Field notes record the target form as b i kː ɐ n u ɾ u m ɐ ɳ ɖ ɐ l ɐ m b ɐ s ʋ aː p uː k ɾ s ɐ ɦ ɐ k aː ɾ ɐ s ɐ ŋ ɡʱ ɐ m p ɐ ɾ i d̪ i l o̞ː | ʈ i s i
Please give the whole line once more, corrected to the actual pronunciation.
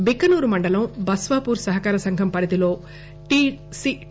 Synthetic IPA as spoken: b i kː ɐ n uː ɾ u m ɐ ɳ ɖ ɐ l ɐ m b ɐ s ʋ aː p uː ɾ s ɐ ɦ ɐ k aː ɾ ɐ s ɐ ŋ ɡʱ ɐ m p ɐ ɾ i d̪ i l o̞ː | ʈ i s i